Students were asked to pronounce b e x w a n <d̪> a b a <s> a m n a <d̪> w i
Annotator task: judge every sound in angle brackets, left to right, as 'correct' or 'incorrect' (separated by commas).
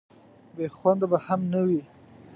correct, incorrect, incorrect